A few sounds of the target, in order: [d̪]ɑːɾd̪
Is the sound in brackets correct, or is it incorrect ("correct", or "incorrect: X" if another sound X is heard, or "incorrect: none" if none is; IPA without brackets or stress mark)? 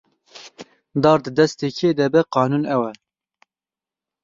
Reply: correct